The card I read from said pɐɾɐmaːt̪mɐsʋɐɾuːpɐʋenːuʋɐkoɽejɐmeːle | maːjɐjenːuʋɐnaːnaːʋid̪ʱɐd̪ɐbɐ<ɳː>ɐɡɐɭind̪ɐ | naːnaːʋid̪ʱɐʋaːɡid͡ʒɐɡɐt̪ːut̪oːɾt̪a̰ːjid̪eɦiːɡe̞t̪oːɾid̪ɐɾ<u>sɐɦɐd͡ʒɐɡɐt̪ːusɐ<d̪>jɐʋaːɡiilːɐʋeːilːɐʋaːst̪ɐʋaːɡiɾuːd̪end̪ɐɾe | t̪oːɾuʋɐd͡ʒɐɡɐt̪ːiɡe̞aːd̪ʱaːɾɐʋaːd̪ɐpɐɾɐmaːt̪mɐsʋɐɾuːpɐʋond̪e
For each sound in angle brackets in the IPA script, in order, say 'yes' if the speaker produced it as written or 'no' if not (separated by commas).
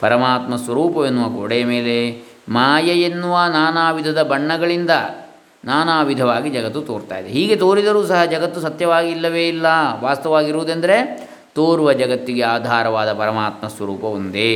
yes, no, no